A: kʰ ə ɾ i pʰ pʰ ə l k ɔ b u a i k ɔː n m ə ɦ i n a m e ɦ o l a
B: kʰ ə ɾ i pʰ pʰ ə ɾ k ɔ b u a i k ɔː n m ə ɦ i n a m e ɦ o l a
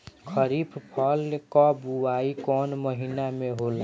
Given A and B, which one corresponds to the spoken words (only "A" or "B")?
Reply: A